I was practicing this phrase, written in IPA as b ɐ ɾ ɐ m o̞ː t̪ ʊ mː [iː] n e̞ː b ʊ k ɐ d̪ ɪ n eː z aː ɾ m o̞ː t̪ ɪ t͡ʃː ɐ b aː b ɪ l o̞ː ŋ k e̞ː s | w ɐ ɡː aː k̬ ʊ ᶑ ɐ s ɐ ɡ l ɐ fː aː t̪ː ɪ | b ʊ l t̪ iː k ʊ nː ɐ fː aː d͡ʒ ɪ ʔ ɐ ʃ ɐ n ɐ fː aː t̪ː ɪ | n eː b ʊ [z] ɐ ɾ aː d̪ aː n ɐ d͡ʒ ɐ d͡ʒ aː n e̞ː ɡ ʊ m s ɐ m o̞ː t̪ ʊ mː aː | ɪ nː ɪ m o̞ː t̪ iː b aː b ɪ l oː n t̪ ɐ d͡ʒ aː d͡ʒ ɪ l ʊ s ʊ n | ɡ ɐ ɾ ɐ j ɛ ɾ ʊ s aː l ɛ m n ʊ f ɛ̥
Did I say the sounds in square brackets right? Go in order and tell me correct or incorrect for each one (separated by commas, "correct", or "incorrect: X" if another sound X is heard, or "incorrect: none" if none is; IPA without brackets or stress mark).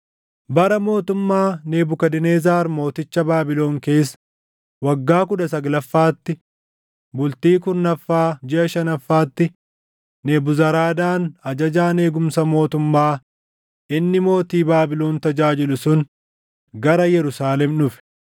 incorrect: aː, correct